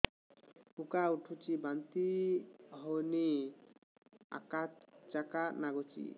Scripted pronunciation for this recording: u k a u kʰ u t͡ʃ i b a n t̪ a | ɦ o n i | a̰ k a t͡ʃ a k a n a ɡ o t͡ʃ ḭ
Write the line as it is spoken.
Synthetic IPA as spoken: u k a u ʈʰ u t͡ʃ i b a n t̪ i | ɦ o n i | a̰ k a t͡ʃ a k a n a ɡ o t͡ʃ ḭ